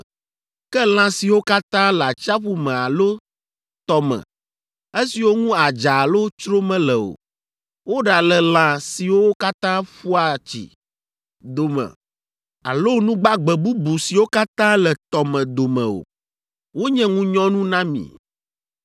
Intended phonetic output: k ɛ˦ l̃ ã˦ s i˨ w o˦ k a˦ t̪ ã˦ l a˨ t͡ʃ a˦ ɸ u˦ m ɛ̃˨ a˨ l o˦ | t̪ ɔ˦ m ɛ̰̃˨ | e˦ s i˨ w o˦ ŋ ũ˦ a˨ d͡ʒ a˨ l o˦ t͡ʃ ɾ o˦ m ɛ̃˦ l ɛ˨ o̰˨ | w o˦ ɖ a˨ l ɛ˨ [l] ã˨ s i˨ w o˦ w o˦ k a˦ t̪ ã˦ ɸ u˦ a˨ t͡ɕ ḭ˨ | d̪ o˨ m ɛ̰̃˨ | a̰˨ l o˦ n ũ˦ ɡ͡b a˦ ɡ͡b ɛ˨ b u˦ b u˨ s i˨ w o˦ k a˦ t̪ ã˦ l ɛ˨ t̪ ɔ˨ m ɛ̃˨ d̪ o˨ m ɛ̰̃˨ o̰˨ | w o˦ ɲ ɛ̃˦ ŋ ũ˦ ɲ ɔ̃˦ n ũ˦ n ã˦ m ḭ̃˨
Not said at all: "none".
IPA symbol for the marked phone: l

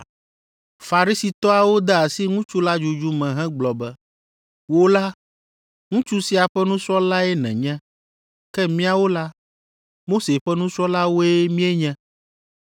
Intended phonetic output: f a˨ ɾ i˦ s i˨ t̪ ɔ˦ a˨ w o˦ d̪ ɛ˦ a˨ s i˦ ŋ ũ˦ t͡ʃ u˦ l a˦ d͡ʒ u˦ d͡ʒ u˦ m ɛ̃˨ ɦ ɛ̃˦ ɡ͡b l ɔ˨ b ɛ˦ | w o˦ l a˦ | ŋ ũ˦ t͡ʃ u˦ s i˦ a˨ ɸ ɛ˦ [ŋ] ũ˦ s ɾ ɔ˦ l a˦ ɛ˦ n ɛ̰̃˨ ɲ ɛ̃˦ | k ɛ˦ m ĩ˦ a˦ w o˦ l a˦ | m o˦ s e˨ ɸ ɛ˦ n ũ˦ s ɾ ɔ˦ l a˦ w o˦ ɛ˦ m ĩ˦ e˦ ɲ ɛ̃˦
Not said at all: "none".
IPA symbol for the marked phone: n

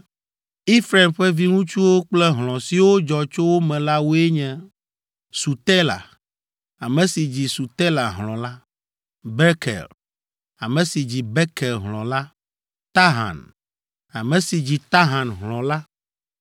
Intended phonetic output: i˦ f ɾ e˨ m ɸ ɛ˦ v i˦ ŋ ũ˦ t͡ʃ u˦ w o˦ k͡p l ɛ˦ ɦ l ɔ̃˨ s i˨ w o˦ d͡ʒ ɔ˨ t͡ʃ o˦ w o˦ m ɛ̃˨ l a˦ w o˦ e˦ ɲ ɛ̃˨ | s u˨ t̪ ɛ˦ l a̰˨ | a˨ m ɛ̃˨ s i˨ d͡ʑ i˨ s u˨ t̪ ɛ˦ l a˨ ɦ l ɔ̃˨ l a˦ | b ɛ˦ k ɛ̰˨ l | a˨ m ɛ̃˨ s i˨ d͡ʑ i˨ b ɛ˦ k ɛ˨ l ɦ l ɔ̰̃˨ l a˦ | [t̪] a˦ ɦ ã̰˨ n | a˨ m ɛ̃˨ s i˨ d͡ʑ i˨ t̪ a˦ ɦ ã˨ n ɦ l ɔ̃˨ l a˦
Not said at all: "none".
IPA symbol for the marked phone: t̪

